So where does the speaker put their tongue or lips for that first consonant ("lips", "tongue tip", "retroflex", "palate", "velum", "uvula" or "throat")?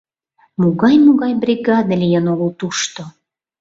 lips